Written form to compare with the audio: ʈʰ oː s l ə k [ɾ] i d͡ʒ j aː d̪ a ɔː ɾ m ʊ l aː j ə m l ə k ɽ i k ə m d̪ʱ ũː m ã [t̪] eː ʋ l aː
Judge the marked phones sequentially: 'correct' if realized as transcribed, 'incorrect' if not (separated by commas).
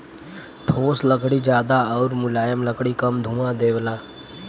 incorrect, incorrect